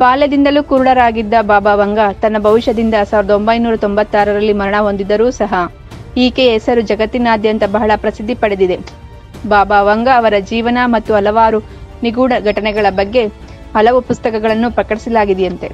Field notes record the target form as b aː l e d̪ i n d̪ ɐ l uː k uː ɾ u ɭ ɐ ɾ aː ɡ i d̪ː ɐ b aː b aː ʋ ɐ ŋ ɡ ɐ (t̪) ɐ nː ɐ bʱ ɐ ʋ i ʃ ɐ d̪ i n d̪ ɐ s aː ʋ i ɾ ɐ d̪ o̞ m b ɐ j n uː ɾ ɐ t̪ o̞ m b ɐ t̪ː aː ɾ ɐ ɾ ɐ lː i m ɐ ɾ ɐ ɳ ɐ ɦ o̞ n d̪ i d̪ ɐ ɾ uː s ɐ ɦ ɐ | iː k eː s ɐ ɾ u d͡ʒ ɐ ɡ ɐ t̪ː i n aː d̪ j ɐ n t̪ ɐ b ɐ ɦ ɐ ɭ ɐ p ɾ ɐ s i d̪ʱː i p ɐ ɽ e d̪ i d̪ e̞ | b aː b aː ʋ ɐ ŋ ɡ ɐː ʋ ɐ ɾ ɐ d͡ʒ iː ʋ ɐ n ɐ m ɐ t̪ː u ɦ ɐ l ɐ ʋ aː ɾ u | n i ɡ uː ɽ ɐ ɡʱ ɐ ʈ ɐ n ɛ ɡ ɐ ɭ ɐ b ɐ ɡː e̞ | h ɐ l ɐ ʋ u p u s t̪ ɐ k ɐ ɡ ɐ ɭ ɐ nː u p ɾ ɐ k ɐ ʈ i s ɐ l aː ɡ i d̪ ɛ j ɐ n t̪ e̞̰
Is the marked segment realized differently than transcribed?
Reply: no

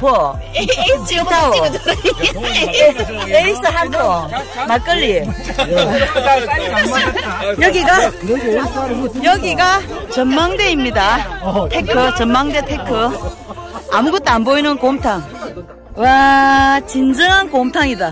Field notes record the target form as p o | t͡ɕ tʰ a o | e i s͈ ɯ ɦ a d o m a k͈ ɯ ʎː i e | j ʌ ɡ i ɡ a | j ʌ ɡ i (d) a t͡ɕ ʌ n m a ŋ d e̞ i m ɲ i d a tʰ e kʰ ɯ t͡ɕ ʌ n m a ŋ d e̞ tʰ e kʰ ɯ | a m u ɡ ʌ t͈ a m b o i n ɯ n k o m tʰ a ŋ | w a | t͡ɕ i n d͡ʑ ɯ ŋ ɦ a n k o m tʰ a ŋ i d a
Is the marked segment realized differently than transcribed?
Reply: yes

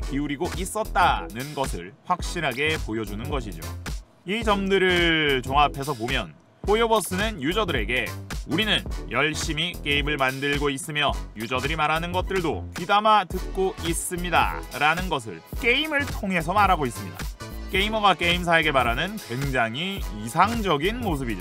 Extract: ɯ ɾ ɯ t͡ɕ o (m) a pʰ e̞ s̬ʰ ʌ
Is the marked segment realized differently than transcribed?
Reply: yes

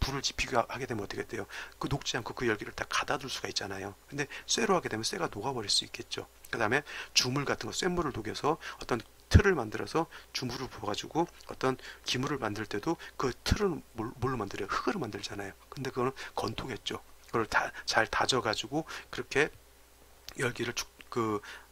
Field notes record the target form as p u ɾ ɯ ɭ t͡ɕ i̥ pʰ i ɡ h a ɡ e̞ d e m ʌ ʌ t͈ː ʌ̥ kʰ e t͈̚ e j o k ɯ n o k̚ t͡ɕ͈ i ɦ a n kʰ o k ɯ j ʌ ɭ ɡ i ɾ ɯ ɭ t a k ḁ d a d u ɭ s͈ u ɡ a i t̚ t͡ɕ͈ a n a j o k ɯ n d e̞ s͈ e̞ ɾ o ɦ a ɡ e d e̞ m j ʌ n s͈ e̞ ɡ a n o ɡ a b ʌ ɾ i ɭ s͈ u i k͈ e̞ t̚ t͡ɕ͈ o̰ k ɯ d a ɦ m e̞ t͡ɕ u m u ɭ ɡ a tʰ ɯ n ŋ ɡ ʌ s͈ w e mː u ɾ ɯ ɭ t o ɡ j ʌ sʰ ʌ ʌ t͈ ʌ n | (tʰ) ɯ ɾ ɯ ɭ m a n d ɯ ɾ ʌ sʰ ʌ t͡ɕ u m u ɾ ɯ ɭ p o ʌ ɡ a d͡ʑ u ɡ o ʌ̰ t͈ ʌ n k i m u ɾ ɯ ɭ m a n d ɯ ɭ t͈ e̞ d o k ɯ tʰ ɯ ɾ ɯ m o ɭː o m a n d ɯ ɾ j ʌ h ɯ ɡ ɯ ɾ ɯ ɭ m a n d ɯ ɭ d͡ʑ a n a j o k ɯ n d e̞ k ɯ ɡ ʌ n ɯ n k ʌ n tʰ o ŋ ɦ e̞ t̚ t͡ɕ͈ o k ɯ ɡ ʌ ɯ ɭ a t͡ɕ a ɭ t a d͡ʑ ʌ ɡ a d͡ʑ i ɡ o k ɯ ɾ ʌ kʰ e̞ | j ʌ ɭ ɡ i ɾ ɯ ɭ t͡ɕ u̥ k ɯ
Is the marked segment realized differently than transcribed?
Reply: no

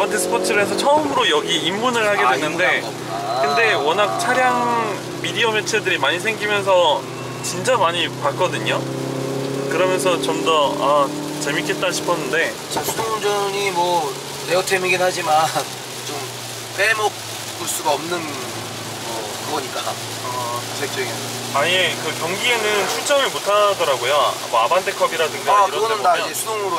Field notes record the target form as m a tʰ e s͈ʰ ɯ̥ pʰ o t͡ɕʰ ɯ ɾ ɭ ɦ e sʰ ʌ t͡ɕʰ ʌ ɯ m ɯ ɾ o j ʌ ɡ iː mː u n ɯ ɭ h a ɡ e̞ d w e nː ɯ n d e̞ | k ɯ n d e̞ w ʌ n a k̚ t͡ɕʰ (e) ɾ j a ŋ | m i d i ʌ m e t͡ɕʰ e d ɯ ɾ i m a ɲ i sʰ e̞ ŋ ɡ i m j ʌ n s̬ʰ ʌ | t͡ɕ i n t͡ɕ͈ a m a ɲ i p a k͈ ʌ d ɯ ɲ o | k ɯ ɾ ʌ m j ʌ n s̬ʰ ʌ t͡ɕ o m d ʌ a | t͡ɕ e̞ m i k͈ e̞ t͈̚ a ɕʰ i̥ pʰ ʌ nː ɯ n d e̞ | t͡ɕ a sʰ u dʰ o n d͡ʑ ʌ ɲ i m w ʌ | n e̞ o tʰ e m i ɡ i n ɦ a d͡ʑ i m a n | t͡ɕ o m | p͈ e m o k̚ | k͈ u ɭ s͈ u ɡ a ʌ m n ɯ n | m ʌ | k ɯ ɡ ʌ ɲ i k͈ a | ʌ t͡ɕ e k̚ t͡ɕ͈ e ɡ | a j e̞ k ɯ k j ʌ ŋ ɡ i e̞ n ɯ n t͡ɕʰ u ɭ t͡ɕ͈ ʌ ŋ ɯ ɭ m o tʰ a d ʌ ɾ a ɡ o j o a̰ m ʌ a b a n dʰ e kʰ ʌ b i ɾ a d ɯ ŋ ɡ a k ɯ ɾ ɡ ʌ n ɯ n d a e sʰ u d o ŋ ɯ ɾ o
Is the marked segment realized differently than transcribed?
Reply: yes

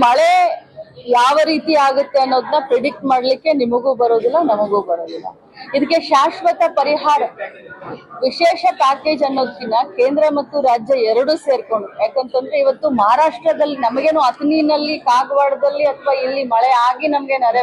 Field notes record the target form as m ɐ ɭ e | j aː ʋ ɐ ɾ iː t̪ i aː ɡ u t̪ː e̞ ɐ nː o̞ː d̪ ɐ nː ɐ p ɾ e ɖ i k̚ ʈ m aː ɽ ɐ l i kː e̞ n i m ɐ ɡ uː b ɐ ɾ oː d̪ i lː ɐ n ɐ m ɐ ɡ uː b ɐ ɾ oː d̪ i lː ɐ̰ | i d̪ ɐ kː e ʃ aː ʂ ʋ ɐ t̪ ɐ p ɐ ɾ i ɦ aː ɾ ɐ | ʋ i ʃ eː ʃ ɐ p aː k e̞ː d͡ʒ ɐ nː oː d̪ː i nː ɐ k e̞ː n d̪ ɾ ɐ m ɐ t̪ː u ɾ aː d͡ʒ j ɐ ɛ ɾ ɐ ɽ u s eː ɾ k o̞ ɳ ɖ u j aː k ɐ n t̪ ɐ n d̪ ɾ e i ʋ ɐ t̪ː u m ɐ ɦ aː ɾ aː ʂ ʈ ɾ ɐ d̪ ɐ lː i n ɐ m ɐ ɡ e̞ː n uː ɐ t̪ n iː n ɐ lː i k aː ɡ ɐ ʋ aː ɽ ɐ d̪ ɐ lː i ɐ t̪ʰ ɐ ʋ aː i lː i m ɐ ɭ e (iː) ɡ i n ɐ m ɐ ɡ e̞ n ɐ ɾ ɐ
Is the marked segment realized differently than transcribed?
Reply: yes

